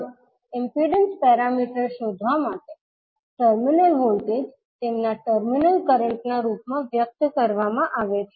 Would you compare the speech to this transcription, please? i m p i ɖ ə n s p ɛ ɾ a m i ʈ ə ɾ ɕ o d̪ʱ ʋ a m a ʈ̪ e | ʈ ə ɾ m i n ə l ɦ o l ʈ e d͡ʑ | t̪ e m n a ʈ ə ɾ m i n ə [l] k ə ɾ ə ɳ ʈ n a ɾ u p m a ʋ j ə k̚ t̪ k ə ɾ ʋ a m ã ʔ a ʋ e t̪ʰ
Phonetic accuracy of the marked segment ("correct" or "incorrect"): correct